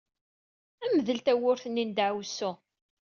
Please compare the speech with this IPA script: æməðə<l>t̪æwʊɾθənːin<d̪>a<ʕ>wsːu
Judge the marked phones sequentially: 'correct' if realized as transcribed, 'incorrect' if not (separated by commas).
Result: correct, correct, correct